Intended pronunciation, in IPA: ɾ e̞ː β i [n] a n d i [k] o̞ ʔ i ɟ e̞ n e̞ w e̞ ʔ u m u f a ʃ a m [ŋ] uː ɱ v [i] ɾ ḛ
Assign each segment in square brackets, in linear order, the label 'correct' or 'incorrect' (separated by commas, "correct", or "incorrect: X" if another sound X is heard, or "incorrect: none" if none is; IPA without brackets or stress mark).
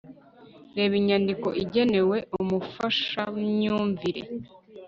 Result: incorrect: ɲ, correct, incorrect: ɲ, correct